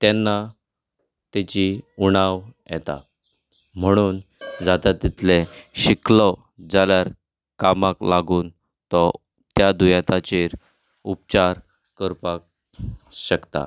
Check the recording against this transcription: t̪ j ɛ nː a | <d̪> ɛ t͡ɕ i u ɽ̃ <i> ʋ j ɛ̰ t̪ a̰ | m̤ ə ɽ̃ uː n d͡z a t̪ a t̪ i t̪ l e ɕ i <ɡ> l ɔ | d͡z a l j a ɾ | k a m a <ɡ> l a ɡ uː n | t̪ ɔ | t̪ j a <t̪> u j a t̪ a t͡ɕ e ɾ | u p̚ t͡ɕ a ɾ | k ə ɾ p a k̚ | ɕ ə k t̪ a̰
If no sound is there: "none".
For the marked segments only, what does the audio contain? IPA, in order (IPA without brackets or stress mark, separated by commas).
t̪, a, k, k, d̪